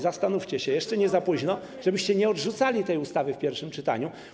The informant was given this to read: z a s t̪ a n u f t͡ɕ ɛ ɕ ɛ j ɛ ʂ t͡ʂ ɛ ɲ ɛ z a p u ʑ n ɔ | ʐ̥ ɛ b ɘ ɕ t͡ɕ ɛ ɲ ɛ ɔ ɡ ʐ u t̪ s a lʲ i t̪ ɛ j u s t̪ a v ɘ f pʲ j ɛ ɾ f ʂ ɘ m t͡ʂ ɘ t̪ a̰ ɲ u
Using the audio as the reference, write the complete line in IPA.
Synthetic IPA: z a s t̪ a n u f t͡ɕ ɛ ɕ ɛ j ɛ ʂ t͡ʂ ɛ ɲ ɛ z a p u ʑ n ɔ | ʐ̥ ɛ b ɘ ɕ t͡ɕ ɛ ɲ ɛ ɔ d ʐ u t̪ s a lʲ i t̪ ɛ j u s t̪ a v ɘ f pʲ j ɛ ɾ f ʂ ɘ m t͡ʂ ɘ t̪ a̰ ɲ u